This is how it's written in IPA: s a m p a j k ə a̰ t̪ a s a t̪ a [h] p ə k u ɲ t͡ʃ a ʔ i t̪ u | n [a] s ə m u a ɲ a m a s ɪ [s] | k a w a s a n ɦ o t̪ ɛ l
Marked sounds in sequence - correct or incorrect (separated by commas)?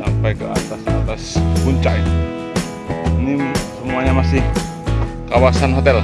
incorrect, incorrect, incorrect